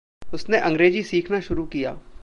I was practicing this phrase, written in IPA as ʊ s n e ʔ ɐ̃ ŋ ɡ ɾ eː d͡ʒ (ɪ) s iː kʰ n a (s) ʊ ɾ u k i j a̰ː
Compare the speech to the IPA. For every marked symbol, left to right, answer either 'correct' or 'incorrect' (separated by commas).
incorrect, incorrect